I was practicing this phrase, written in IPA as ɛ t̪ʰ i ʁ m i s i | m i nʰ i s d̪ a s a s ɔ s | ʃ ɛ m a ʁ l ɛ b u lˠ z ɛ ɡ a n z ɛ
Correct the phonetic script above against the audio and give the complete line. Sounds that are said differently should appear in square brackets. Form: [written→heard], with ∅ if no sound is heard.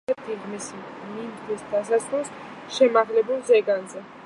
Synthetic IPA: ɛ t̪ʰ i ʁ m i s i | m i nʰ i s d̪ a s a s ɔ s | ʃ ɛ m a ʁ l ɛ b u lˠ z ɛ ɡ a n z ɛ